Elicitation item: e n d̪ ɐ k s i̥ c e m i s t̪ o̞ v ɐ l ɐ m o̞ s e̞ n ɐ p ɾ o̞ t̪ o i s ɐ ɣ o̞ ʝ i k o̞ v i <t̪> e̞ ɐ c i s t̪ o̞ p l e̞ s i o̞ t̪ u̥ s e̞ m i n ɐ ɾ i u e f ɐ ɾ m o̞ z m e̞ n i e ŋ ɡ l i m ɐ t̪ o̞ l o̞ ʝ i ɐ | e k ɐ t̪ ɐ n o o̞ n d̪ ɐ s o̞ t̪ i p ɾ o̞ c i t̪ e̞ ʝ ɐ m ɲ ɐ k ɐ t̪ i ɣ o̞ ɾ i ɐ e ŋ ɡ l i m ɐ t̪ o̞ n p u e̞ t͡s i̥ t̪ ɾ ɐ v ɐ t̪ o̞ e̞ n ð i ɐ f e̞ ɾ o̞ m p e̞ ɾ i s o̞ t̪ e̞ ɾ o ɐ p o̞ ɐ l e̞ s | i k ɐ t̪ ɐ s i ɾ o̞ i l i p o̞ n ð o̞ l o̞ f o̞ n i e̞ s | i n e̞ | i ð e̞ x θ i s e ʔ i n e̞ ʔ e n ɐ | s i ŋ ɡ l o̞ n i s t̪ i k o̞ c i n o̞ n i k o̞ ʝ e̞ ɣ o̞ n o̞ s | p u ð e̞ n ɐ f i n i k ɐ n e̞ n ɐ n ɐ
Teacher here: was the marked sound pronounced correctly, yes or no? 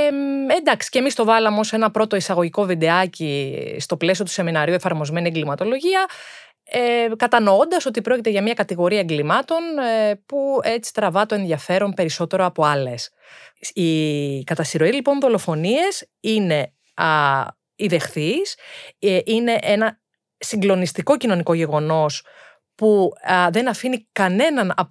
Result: no